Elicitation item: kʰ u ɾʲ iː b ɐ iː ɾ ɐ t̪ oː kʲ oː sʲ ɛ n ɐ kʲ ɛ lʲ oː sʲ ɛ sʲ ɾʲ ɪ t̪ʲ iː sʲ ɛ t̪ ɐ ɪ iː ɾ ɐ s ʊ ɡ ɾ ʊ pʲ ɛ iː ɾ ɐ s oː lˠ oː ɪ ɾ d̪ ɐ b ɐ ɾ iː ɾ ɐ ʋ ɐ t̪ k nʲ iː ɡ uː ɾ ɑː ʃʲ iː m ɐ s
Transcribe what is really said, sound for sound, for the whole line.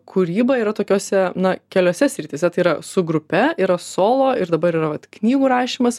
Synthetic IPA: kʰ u ɾʲ iː b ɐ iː ɾ ɐ t̪ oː kʲ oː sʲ ɛ n ɐ kʲ ɛ lʲ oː sʲ ɛ sʲ ɾʲ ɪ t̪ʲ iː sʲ ɛ t̪ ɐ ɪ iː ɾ ɐ s ʊ ɡ ɾ ʊ pʲ ɛ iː ɾ ɐ s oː lˠ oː ɪ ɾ d̪ ɐ b ɐ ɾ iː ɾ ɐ ʋ ɐ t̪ k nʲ iː ɡ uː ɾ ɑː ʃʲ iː m ɐ s